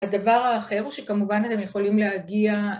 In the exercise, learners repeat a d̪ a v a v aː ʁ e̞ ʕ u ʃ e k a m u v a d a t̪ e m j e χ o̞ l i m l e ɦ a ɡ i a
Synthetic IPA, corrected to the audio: a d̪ a v a ʁ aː χ e̞ ʁ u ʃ e k a m u v a n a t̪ e m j e χ o̞ l i m l e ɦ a ɡ i a